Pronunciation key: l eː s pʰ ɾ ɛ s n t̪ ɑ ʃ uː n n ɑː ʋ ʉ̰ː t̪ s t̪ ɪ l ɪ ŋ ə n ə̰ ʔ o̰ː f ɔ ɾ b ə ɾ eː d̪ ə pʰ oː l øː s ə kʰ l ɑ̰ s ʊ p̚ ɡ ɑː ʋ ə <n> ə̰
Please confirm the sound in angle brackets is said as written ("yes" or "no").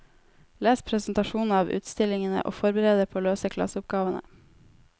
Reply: yes